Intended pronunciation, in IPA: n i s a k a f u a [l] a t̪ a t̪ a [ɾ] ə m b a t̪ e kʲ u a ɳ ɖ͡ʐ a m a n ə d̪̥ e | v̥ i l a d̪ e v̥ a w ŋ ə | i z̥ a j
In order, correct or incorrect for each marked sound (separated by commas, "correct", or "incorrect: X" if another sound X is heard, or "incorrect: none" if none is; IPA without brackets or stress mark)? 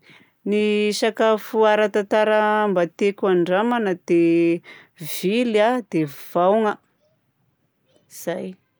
incorrect: ɾ, correct